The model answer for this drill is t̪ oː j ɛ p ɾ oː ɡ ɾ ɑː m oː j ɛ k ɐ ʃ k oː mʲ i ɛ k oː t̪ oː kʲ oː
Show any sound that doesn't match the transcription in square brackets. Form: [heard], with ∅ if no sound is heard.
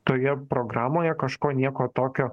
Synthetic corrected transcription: t̪ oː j ɛ p ɾ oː ɡ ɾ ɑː m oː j ɛ k ɐ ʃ k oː [nʲ] i ɛ k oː t̪ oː kʲ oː